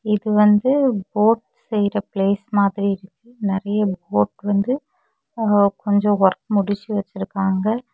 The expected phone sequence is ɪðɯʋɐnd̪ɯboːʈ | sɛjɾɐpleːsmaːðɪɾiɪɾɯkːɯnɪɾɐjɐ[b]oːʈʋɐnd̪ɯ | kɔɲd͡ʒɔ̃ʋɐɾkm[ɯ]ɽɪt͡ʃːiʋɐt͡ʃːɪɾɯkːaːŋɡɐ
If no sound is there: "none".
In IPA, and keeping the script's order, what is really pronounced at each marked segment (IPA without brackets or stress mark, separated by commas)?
b, ʊ